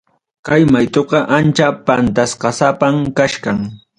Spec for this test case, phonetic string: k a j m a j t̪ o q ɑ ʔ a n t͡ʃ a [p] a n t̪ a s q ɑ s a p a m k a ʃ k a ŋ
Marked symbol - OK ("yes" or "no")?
yes